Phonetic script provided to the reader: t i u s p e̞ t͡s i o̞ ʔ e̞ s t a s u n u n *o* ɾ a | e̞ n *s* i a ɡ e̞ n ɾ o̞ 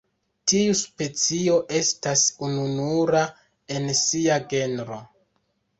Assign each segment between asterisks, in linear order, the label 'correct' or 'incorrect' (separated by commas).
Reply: incorrect, correct